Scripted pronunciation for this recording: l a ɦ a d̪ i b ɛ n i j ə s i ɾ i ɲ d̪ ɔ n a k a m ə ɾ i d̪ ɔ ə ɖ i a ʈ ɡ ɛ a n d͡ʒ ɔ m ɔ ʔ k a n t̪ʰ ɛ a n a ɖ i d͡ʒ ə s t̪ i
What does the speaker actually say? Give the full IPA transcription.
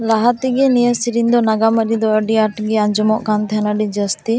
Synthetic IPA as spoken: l a ɦ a t̪ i ɡ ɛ n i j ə s i ɾ i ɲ d̪ ɔ n a ɡ a m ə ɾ i d̪ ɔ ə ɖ i a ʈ ɡ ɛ a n d͡ʒ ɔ m ɔ ʔ k a n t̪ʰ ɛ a n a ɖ i d͡ʒ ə s t̪ i